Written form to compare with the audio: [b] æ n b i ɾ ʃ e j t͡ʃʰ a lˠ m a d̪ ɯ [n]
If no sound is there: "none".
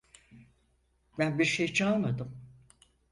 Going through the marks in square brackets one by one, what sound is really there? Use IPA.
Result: b, m

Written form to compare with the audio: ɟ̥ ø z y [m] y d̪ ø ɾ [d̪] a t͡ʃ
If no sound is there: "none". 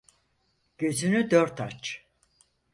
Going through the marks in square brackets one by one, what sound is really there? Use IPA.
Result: n, t̪

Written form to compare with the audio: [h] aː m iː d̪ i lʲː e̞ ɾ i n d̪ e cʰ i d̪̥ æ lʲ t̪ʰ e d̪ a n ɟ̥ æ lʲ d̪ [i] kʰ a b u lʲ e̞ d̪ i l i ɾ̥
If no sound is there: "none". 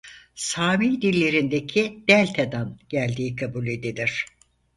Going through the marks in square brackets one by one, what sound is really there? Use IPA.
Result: s, iː

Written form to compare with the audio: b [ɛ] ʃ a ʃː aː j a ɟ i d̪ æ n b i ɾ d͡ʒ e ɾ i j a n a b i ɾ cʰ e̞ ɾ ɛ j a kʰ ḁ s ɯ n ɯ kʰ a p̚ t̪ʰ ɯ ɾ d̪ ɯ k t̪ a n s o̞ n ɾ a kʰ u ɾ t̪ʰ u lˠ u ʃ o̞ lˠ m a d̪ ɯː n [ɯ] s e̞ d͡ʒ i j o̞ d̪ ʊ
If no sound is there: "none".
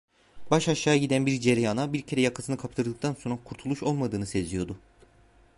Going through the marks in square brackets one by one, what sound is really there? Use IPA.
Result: a, ɯ

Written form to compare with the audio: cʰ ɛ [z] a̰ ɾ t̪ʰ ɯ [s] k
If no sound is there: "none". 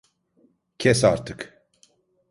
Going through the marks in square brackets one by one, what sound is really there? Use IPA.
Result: s, none

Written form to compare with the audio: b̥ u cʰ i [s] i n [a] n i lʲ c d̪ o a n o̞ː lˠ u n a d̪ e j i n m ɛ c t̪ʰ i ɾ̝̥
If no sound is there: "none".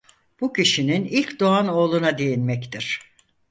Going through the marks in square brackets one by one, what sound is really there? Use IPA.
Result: ʃ, i

